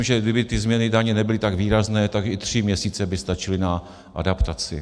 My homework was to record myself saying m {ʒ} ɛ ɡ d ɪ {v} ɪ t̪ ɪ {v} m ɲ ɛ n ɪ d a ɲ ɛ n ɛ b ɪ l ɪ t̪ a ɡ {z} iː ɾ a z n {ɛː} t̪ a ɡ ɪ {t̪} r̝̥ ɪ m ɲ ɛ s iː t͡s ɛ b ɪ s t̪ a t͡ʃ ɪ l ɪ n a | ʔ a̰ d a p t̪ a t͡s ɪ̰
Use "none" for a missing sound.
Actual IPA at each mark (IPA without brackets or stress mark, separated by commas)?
ʒ, b, z, v, ɛː, t̪